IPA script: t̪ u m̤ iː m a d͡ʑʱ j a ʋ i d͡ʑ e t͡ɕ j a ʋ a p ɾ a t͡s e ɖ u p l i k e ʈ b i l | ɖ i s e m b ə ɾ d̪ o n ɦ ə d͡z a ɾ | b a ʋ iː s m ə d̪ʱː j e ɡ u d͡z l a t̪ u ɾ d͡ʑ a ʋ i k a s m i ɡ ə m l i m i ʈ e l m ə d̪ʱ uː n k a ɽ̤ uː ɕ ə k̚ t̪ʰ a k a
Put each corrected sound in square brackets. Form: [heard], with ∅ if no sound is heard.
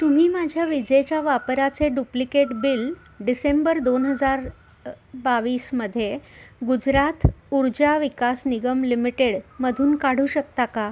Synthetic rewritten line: t̪ u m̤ iː m a d͡ʑʱ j a ʋ i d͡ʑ e t͡ɕ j a ʋ a p ɾ a t͡s e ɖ u p l i k e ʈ b i l | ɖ i s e m b ə ɾ d̪ o n ɦ ə d͡z a ɾ | b a ʋ iː s m ə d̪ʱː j e ɡ u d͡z [ɾ] a t̪ u ɾ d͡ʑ a ʋ i k a s [n] i ɡ ə m l i m i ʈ e [ɽ] m ə d̪ʱ uː n k a ɽ̤ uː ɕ ə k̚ [t̪] a k a

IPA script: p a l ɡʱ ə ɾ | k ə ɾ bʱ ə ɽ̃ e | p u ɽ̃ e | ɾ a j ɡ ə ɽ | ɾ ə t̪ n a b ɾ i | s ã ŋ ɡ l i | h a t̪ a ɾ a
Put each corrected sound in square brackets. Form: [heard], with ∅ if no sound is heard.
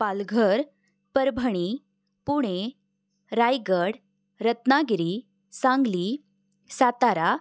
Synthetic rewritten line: p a l ɡʱ ə ɾ | [p] ə ɾ bʱ ə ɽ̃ [i] | p u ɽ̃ e | ɾ a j ɡ ə ɽ | ɾ ə t̪ n a [ɡ] ɾ i | s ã ŋ ɡ l i | [s] a t̪ a ɾ a

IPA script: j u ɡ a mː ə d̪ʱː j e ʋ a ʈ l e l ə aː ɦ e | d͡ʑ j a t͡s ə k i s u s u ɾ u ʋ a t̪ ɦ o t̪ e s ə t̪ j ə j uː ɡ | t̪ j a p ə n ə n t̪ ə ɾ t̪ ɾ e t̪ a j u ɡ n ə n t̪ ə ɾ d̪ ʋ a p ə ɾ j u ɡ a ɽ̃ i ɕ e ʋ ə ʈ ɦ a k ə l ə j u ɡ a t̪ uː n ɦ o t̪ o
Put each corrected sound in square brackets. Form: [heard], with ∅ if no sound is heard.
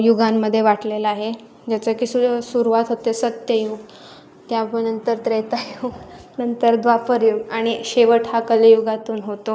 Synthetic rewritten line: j u ɡ a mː ə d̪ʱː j e ʋ a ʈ l e l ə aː ɦ e | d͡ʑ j a t͡s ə k i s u s u ɾ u ʋ a t̪ ɦ o t̪ e s ə t̪ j ə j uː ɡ | t̪ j a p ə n ə n t̪ ə ɾ t̪ ɾ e t̪ a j u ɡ n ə n t̪ ə ɾ d̪ ʋ a p ə ɾ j u ɡ a ɽ̃ i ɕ e ʋ ə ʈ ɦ a k ə l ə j u ɡ a t̪ uː n ɦ o t̪ o

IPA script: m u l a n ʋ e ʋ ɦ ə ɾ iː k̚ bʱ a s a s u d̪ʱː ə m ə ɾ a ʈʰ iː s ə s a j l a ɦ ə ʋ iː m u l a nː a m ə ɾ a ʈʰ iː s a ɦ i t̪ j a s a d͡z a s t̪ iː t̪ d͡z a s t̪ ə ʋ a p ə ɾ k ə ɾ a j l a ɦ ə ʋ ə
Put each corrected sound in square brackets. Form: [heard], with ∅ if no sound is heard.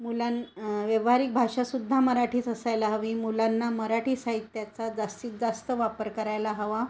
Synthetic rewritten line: m u l a n ʋ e ʋ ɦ [a] ɾ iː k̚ bʱ a [ʂ] a s u d̪ʱː [a] m ə ɾ a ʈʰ iː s ə s a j l a ɦ ə ʋ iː m u l a nː a m ə ɾ a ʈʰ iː s a ɦ i t̪ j a [t͡s] a d͡z a s t̪ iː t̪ d͡z a s t̪ ə ʋ a p ə ɾ k ə ɾ a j l a ɦ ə ʋ [a]

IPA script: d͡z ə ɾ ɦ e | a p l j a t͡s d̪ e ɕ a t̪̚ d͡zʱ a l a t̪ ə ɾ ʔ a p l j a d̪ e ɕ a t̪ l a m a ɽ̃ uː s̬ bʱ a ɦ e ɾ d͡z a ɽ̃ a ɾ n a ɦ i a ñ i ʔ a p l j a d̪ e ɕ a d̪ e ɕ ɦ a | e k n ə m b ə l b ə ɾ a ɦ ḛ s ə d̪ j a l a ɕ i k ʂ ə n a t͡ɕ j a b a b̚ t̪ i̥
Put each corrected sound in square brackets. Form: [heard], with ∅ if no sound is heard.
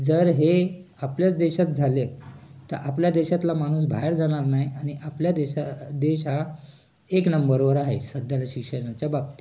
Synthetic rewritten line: d͡z ə ɾ ɦ e | a p l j a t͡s d̪ e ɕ a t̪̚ d͡zʱ a l [e] t̪ ə ɾ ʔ a p l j a d̪ e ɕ a t̪ l a m a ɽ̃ uː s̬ bʱ a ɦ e ɾ d͡z a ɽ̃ a ɾ n a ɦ i a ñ i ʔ a p l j a d̪ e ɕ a d̪ e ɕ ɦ a | e k n ə m b ə [ɾ] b ə ɾ a ɦ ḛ s ə d̪ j a l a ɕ i k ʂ ə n a t͡ɕ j a b a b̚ t̪ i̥

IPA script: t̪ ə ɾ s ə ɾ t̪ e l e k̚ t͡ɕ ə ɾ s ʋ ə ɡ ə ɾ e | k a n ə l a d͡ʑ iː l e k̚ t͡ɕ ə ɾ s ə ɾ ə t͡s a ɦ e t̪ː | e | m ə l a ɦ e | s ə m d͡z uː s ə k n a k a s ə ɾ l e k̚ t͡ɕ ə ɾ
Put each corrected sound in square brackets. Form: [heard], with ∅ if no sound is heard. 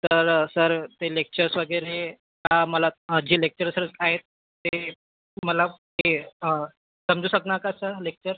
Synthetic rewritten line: t̪ ə ɾ s ə ɾ t̪ e l e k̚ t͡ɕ ə ɾ s ʋ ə ɡ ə ɾ e | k a [m] ə l a d͡ʑ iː l e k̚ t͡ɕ ə ɾ s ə ɾ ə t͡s a ɦ e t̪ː | e | m ə l a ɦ e | s ə m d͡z uː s ə k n a k a s ə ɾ l e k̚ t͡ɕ ə ɾ

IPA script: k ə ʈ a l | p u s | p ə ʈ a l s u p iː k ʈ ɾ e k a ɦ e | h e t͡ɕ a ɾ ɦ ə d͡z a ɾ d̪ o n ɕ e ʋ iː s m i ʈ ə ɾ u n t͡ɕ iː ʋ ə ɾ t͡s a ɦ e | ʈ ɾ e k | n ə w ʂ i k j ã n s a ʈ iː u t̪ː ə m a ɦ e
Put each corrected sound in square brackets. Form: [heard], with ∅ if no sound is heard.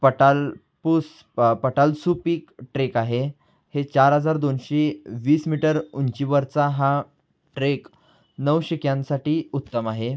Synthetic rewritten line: [p] ə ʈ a l | p u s | p ə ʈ a l s u p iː k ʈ ɾ e k a ɦ e | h e t͡ɕ a ɾ ɦ ə d͡z a ɾ d̪ o n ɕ e ʋ iː s m i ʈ ə ɾ u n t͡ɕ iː ʋ ə ɾ t͡s a ɦ [a] | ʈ ɾ e k | n ə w [ɕ] i k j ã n s a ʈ iː u t̪ː ə m a ɦ e

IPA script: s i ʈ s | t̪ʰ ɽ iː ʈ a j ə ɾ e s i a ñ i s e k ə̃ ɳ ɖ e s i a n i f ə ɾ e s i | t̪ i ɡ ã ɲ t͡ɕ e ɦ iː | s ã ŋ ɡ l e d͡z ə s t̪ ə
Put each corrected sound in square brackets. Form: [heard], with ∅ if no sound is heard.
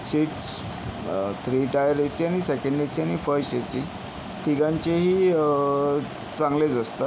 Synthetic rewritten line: s i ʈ s | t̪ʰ [ɾ] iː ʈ a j ə ɾ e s i a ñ i s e k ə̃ ɳ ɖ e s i a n i f ə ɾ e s i | t̪ i ɡ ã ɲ t͡ɕ e ɦ iː | [t͡s] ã ŋ ɡ l e d͡z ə s t̪ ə

